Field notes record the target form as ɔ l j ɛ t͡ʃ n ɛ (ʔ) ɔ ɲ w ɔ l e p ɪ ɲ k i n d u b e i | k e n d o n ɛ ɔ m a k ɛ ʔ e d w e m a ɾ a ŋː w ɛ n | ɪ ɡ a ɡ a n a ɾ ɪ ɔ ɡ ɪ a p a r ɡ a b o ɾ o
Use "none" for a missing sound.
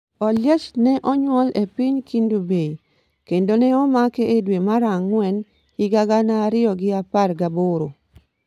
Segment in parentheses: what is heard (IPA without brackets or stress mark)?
ʔ